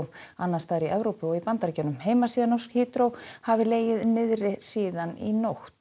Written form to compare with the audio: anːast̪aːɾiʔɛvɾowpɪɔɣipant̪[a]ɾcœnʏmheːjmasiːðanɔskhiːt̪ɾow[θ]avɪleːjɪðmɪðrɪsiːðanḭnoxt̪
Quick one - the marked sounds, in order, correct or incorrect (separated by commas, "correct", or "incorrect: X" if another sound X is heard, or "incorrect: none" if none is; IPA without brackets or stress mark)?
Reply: correct, incorrect: h